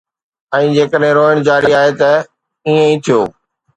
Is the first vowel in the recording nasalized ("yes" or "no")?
yes